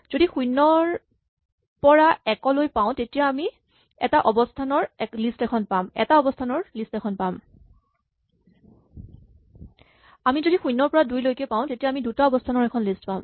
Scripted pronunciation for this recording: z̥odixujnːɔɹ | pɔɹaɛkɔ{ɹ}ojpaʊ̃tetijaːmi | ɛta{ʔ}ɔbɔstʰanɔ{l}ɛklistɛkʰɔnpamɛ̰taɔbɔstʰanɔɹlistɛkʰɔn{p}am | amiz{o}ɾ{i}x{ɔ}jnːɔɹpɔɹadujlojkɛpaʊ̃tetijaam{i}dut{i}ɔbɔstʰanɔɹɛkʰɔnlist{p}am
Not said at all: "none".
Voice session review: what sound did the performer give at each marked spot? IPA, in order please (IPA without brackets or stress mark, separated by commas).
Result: l, ʔ, ɹ, p, o, i, u, i, a, p